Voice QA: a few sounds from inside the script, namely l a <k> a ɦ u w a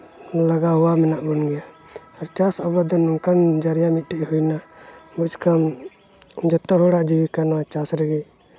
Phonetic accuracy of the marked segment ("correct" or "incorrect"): incorrect